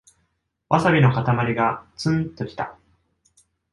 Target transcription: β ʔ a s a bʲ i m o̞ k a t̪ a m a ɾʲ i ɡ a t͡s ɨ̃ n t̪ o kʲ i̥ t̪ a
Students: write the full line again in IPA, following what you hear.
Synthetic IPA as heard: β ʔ a s a bʲ i n o̞ k a t̪ a m a ɾʲ i ɡ a t͡s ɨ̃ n t̪ o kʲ i̥ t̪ a